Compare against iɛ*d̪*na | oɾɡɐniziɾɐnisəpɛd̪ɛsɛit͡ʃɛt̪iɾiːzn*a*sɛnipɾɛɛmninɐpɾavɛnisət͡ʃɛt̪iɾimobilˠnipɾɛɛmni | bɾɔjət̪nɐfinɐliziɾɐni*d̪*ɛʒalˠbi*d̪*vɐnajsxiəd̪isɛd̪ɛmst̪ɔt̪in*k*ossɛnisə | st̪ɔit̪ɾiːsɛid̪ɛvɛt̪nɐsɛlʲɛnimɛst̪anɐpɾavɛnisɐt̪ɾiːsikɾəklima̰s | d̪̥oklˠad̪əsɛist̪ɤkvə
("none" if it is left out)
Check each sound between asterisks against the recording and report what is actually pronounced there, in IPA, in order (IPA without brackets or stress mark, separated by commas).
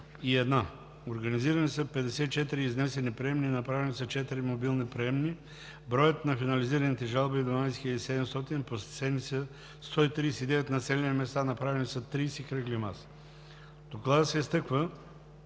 d̪, ɛ, t̪, d̪, p